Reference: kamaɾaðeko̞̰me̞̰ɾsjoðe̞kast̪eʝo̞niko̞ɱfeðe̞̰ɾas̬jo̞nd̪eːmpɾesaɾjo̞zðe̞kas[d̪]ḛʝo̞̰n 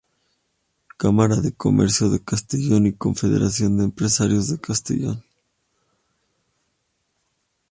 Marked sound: incorrect: t̪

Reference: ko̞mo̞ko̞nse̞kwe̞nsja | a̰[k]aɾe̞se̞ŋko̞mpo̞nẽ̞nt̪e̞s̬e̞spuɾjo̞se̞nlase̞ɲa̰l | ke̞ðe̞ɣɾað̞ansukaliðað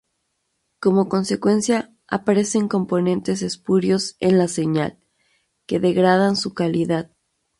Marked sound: incorrect: p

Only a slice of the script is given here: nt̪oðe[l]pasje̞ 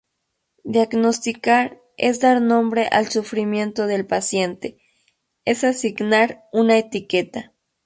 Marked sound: correct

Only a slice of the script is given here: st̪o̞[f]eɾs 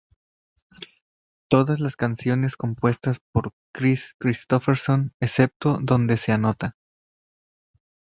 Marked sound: correct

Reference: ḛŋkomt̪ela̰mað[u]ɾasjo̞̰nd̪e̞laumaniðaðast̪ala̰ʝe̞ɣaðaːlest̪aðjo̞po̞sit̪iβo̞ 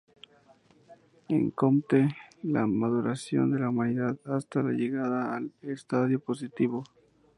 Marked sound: correct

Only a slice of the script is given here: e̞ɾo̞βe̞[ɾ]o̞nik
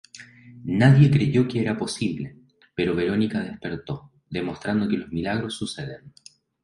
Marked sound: correct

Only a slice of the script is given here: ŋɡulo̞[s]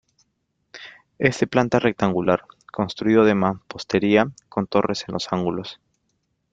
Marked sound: correct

